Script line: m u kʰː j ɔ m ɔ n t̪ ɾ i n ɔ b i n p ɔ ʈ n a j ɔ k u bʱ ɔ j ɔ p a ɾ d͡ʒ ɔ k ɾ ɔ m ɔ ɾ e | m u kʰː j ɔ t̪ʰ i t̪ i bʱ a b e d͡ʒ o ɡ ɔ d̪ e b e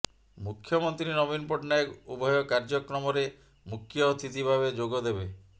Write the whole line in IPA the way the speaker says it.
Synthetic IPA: m u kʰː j ɔ m ɔ n t̪ ɾ i n ɔ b i n p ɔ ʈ n a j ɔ k u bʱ ɔ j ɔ k a ɾ d͡ʒ ɔ k ɾ ɔ m ɔ ɾ e | m u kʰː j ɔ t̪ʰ i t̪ i bʱ a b e d͡ʒ o ɡ ɔ d̪ e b e